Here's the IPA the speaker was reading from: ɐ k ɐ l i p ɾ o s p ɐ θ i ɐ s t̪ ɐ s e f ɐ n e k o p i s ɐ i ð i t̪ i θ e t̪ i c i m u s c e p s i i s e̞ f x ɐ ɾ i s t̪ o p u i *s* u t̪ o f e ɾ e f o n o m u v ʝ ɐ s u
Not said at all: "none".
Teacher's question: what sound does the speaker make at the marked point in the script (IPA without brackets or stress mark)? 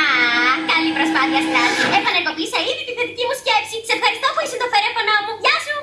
s